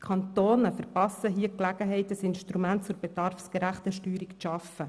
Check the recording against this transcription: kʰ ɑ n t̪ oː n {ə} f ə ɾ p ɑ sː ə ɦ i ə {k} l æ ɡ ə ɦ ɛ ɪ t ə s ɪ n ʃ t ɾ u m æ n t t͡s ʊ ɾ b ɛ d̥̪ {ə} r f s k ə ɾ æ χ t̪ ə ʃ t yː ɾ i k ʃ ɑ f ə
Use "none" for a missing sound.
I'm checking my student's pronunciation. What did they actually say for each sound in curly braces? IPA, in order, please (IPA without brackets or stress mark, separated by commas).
ə, k, ɑ